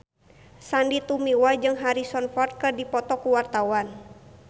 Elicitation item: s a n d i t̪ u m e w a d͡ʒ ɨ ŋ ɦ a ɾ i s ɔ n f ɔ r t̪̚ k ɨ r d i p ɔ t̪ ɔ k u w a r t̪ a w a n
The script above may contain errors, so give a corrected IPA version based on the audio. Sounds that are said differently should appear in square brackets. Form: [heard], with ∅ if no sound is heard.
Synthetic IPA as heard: s a n d i t̪ u m [i] w a d͡ʒ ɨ ŋ ɦ a ɾ i s ɔ n f ɔ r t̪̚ k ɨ r d i p ɔ t̪ ɔ k u w a r t̪ a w a n